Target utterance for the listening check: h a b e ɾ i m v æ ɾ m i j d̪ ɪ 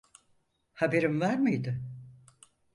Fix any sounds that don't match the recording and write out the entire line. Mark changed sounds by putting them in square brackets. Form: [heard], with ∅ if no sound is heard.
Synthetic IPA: h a b e ɾ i m v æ ɾ m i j d̪ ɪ